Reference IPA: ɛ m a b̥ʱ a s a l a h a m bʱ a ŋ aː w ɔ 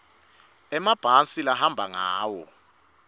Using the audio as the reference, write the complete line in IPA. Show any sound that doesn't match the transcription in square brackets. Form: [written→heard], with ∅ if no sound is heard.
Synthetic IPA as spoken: ɛ m a b̥ʱ a s [a→i] l a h a m bʱ a ŋ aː w ɔ